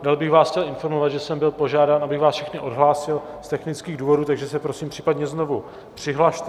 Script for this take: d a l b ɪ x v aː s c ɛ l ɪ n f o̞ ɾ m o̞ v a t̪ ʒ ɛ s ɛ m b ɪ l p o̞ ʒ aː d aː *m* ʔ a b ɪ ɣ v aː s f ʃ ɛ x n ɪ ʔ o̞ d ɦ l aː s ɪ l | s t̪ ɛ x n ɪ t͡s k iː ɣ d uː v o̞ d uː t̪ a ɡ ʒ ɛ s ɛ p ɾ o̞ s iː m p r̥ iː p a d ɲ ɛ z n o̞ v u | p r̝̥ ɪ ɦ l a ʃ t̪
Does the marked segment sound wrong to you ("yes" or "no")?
yes